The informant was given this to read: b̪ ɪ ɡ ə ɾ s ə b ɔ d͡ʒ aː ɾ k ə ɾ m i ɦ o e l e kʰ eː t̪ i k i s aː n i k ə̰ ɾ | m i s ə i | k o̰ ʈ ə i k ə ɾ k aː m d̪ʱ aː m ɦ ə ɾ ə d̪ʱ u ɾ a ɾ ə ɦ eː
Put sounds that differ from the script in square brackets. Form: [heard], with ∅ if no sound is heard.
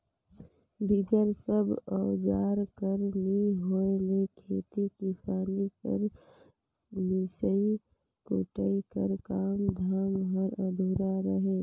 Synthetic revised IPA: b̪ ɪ ɡ ə ɾ s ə b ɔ d͡ʒ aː ɾ k ə ɾ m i ɦ o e l e kʰ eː t̪ i k i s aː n i k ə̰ ɾ | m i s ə i | k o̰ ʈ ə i k ə ɾ k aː m d̪ʱ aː m ɦ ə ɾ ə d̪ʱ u ɾ a ɾ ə ɦ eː